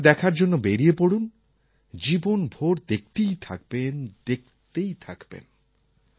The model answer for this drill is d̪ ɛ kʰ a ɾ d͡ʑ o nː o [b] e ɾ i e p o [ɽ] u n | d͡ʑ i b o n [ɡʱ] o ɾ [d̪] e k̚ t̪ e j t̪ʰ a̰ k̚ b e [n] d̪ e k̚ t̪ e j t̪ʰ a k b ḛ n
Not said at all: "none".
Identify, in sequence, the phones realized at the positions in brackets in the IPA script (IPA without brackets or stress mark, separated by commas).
b, ɽ, bʱ, d̪, n